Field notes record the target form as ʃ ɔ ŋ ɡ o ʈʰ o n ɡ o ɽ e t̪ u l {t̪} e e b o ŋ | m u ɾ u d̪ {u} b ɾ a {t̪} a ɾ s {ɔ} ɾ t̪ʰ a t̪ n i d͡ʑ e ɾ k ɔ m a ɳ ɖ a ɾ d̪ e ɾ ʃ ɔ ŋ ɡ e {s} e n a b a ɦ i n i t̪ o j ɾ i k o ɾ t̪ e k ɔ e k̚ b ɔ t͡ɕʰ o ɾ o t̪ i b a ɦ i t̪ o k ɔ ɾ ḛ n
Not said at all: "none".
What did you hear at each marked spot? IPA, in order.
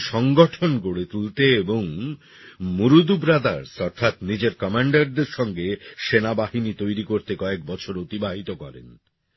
t̪, u, d̪, ɔ, ʃ

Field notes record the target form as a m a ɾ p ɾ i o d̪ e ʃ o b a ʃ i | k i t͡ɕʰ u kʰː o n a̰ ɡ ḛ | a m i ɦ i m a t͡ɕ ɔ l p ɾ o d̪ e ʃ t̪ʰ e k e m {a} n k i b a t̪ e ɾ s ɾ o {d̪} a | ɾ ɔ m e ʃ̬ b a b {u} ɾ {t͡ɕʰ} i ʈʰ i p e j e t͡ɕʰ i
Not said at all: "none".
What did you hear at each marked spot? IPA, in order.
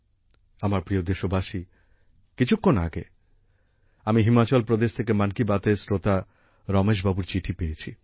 a, t̪, u, t͡ɕ

